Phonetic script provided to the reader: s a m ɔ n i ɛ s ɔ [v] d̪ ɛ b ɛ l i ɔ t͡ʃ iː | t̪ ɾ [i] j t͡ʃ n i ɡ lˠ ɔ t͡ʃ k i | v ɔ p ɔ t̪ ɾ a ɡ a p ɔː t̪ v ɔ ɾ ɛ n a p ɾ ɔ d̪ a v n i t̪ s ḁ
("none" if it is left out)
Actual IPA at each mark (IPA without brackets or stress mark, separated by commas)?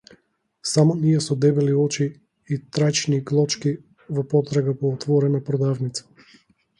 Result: none, a